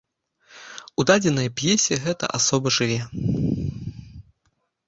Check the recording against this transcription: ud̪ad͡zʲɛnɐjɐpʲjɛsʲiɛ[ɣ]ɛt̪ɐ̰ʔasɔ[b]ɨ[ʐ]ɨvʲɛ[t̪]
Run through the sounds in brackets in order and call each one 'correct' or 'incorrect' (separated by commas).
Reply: correct, correct, correct, incorrect